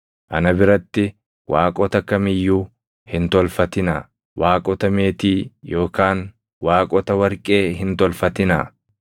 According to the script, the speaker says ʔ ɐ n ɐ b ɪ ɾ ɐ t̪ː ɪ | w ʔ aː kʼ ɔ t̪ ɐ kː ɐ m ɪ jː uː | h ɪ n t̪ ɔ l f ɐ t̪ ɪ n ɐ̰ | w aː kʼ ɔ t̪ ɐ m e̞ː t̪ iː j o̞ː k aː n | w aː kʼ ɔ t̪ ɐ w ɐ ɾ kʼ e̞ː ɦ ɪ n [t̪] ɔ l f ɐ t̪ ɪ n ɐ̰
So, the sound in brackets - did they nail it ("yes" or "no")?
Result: yes